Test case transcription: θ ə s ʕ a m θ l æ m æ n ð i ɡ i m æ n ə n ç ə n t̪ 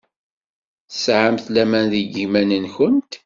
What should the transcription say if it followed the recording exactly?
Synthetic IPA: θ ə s ʕ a m θ l æ m æ n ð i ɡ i m æ n ə n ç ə n t̪

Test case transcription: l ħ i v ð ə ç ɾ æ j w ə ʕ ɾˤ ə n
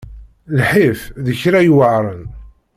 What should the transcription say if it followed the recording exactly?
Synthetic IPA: l ħ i f ð ə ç ɾ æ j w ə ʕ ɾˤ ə n

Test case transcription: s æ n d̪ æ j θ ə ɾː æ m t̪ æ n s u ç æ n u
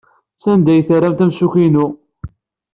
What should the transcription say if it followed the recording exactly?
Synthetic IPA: s æ n d̪ æ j θ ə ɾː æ m t̪ æ m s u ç i n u

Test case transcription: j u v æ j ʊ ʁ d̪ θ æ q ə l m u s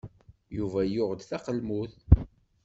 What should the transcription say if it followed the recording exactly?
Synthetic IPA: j u v æ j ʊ ʁ d̪ θ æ q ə l m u θ

